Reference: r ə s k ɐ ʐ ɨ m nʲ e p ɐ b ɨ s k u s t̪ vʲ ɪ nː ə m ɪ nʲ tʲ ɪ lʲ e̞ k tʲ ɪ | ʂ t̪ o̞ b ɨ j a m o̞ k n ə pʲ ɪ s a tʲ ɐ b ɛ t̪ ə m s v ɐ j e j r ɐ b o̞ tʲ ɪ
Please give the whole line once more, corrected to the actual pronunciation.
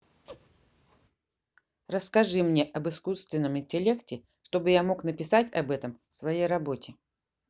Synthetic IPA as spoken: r ə s k ɐ ʐ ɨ m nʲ e ʔ ɐ b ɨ s k u s t̪ vʲ ɪ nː ə m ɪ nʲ tʲ ɪ lʲ e̞ k tʲ ɪ | ʂ t̪ o̞ b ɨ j a m o̞ k n ə pʲ ɪ s a tʲ ɐ b ɛ t̪ ə m s v ɐ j e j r ɐ b o̞ tʲ ɪ

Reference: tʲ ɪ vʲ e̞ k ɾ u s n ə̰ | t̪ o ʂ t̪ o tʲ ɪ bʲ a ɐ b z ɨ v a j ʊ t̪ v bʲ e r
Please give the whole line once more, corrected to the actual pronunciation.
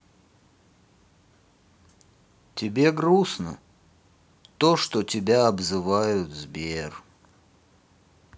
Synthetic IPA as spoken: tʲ ɪ bʲ e̞ ɡ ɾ u s n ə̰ | t̪ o ʂ t̪ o tʲ ɪ bʲ a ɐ b z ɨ v a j ʊ t̪ z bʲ e r

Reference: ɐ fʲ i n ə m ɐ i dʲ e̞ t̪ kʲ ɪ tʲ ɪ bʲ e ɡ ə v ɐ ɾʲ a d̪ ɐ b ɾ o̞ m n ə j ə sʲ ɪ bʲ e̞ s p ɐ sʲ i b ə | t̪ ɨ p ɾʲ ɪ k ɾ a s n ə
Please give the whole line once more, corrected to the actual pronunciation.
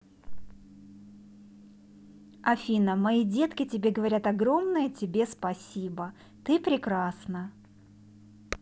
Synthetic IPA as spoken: ɐ fʲ i n ə m ɐ i dʲ e̞ t̪ kʲ ɪ tʲ ɪ bʲ e ɡ ə v ɐ ɾʲ a t̪ ɐ ɡ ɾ o̞ m n ə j ə tʲ ɪ bʲ e̞ s p ɐ sʲ i b ə | t̪ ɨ p ɾʲ ɪ k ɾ a s n ə

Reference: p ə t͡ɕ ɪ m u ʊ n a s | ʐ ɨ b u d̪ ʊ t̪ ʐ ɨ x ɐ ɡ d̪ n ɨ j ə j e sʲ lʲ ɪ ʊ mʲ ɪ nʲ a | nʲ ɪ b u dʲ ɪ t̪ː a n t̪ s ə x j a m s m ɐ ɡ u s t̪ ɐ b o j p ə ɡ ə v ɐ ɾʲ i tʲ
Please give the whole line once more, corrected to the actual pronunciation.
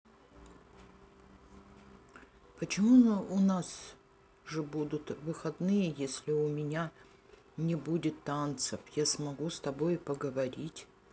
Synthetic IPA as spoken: p ə t͡ɕ ɪ m u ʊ n a s | ʐ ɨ b u d̪ ʊ t̪ v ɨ x ɐ d̪ n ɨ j ə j e sʲ lʲ ɪ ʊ mʲ ɪ nʲ a | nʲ ɪ b u dʲ ɪ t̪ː a n t̪ s ə f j a s m ɐ ɡ u s t̪ ɐ b o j p ə ɡ ə v ɐ ɾʲ i tʲ

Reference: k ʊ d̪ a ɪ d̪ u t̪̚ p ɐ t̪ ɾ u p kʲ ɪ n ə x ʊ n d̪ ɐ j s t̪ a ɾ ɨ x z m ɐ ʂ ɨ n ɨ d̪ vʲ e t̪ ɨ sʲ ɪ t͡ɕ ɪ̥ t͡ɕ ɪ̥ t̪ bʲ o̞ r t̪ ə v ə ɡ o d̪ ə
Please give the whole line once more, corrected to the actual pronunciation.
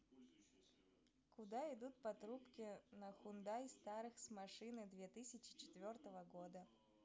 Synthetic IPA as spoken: k ʊ d̪ a ɪ d̪ u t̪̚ p ɐ t̪ ɾ u p kʲ ɪ n ə x ʊ n d̪ a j s t̪ a ɾ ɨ x s m ɐ ʂ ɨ n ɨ d̪ vʲ e t̪ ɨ sʲ ɪ t͡ɕ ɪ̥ t͡ɕ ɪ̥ t̪ vʲ o̞ r t̪ ə v ə ɡ o d̪ ə

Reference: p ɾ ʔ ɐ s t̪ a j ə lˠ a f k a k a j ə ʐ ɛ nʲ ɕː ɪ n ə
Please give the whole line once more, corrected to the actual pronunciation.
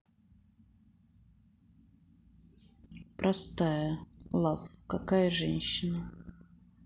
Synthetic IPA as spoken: p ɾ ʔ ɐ s t̪ a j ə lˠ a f k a k a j ə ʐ ɛ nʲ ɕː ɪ n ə

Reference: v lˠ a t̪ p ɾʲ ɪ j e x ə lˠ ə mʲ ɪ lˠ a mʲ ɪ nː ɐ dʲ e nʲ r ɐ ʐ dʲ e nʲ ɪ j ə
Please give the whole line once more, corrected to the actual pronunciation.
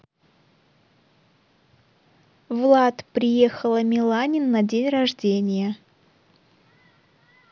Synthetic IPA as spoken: v lˠ a t̪ p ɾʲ ɪ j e x ə lˠ ə mʲ ɪ lˠ a nʲ ɪ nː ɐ dʲ e nʲ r ɐ ʐ dʲ e nʲ ɪ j ə

